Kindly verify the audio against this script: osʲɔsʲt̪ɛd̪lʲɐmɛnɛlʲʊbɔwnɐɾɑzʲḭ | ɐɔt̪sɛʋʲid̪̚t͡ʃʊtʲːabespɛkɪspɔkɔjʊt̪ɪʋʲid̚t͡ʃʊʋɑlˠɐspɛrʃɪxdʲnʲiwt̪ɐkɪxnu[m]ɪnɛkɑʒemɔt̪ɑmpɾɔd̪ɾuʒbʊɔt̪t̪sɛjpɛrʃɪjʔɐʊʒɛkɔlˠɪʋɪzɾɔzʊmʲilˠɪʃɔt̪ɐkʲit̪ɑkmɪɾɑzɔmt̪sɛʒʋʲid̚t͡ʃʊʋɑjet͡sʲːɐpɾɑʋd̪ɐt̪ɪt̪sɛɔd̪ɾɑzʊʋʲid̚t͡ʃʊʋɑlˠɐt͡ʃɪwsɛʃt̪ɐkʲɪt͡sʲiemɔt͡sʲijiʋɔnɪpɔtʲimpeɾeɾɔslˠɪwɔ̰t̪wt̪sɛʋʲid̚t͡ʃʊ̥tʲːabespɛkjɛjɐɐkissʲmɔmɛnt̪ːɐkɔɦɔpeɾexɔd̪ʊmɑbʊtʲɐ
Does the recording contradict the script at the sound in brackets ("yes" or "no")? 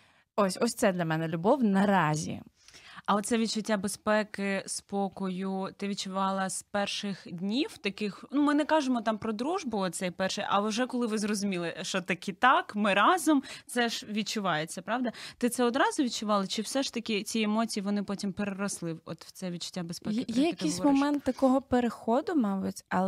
no